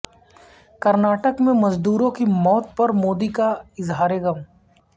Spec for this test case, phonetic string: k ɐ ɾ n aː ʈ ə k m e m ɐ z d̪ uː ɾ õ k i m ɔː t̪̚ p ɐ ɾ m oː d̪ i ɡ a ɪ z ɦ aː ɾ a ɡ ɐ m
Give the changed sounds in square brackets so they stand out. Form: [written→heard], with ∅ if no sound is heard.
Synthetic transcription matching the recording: k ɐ ɾ n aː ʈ ə k m [e→ẽ] m ɐ z d̪ uː ɾ õ k i m ɔː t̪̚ p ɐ ɾ m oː d̪ i [ɡ→k] a ɪ z ɦ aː ɾ [a→e] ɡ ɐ m